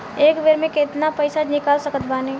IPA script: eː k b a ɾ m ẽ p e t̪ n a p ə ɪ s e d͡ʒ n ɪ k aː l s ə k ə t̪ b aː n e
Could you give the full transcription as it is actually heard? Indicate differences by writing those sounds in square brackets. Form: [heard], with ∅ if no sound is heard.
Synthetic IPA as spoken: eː k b [e] ɾ m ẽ [k] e t̪ n a p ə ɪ s [a] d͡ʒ n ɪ k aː l s ə k ə t̪ b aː n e